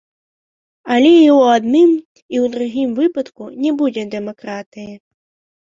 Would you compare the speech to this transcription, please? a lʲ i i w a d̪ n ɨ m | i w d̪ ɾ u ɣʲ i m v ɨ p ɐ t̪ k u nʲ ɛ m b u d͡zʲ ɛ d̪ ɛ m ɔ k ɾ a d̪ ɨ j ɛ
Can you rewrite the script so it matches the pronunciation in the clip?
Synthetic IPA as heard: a lʲ ɛ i w a d̪ n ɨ m | i w d̪ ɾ u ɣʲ i m v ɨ p ɐ t̪ k u nʲ ɛ b u d͡zʲ ɛ d̪ ɛ m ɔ k ɾ a t̪ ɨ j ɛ